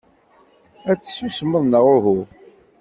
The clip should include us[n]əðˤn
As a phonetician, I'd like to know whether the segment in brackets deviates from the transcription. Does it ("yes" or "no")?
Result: yes